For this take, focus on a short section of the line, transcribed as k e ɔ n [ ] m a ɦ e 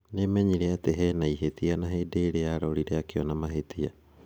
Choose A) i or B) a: B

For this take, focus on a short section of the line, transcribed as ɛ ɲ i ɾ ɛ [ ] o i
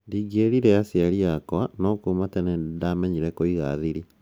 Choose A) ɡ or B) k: B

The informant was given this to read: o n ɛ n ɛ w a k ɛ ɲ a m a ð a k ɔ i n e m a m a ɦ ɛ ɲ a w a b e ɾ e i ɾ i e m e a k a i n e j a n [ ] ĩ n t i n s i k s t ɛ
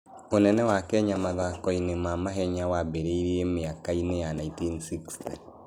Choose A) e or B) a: B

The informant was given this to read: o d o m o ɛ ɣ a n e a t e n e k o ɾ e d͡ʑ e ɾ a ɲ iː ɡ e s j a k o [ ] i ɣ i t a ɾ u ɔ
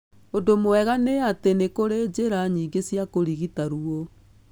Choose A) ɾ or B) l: A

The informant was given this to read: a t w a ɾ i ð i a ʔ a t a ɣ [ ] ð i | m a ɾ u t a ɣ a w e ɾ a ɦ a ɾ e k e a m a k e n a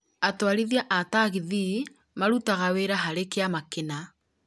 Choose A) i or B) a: A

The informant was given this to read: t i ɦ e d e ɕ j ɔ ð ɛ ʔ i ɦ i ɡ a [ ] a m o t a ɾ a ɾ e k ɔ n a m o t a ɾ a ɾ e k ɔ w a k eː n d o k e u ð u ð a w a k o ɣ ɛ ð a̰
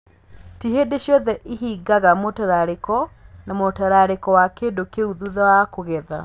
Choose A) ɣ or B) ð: A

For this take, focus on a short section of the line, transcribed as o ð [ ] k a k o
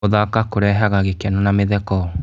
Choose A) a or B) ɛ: A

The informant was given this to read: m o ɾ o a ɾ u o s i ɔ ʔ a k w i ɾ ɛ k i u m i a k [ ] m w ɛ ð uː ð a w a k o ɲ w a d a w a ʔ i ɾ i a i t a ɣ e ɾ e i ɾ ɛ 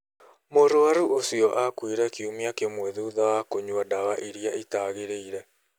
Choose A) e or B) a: A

